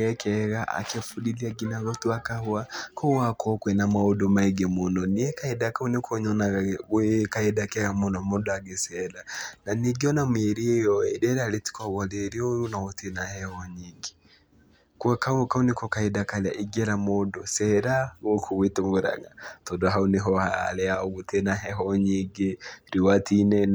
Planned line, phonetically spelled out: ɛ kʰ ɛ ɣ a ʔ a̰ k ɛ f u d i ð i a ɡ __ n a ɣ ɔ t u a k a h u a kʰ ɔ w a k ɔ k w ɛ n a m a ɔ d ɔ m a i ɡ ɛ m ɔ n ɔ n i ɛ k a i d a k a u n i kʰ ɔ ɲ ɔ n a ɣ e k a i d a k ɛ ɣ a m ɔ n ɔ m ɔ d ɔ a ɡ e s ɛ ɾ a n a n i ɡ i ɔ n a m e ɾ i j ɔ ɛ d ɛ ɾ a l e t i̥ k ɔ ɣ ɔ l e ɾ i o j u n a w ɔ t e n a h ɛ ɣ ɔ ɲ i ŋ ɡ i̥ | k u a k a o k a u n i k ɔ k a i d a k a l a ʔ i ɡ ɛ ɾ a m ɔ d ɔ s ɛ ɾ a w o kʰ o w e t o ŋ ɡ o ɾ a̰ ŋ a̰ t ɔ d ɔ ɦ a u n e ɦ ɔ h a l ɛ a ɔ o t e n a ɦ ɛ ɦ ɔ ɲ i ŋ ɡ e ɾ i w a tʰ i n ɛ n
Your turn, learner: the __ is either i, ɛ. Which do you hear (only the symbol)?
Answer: i